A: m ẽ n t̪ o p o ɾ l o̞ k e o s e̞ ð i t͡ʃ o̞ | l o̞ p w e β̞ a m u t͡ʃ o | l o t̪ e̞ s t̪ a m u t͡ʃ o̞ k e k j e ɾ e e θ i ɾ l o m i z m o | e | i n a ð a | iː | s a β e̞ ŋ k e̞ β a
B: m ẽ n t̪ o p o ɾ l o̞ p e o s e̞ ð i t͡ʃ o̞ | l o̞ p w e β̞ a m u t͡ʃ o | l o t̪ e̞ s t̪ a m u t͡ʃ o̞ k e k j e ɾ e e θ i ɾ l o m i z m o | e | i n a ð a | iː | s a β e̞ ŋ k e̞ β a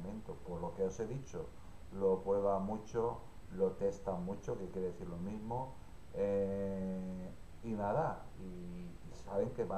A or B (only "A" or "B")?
A